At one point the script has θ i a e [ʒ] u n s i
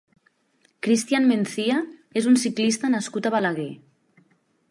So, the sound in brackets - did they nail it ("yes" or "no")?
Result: no